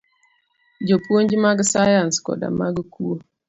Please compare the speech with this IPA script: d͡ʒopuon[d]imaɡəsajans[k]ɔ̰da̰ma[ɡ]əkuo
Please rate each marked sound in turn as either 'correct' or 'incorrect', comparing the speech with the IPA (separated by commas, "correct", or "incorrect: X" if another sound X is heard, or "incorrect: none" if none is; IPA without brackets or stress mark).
incorrect: d͡ʒ, correct, correct